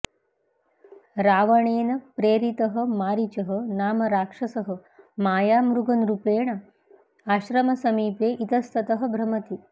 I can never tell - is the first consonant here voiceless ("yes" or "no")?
no